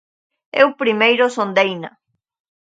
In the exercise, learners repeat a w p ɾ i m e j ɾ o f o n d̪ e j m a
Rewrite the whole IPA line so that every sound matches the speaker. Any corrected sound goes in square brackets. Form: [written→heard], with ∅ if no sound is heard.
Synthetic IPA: [a→e] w p ɾ i m e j ɾ o [f→s] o n d̪ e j [m→n] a